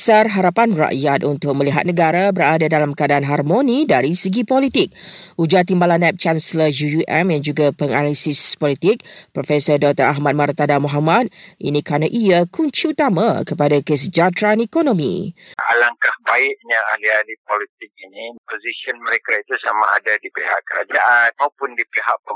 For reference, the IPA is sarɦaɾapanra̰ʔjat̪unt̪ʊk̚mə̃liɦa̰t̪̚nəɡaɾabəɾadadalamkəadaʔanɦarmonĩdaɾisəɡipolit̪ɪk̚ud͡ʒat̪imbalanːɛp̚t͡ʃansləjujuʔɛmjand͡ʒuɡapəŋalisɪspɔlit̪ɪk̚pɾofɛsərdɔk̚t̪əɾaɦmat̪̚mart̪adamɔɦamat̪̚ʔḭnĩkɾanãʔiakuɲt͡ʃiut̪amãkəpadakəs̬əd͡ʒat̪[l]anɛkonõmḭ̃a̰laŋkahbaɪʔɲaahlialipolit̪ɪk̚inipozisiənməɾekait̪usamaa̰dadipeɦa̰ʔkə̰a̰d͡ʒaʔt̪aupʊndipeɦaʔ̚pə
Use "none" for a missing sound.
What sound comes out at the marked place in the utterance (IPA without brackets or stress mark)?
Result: ɾ